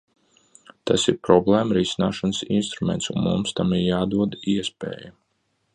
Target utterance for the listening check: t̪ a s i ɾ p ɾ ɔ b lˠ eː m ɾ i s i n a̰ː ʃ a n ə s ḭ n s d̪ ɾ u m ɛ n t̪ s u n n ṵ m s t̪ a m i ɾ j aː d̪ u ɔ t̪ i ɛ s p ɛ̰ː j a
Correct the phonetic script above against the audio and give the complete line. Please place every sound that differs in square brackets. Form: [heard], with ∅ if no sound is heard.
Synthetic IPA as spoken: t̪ a s i ɾ p ɾ ɔ b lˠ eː m ɾ i s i n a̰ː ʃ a n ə s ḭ n s [t̪] ɾ u m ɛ n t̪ s u n [m] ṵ m s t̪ a m i ɾ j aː d̪ u ɔ [d̪] i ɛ s p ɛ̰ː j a